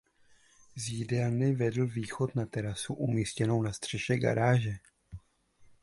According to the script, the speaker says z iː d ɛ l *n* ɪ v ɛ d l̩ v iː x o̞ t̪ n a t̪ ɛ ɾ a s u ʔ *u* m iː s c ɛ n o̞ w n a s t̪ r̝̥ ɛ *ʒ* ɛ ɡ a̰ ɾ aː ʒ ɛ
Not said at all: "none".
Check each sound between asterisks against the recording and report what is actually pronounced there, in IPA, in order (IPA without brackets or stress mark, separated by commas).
n, u, ʃ